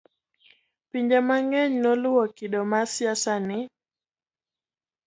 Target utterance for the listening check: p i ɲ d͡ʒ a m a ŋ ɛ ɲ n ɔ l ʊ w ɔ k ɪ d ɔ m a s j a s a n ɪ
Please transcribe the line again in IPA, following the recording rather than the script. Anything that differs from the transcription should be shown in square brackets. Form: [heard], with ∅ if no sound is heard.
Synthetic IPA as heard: p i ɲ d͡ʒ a m a ŋ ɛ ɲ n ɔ l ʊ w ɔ k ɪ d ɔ m a s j a s a n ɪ